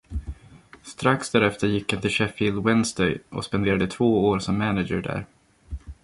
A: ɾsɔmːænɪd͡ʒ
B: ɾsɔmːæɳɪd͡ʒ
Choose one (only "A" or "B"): A